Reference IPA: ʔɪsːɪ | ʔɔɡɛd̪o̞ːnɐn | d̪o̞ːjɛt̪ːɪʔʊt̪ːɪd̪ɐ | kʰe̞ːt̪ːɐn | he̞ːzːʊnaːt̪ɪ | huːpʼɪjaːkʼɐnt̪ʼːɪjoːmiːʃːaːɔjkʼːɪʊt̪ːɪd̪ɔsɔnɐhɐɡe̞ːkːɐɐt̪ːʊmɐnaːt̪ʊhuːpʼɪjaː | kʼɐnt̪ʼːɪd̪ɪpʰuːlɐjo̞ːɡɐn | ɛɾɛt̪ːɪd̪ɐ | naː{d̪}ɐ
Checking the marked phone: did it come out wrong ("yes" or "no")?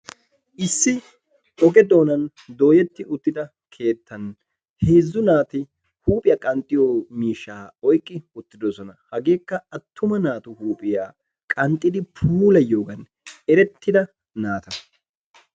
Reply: yes